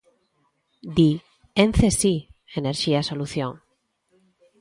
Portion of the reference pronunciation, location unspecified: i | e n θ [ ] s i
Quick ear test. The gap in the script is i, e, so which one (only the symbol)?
e